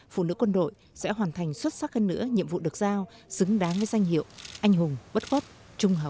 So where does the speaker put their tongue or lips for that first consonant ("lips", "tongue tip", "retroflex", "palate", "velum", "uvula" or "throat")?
lips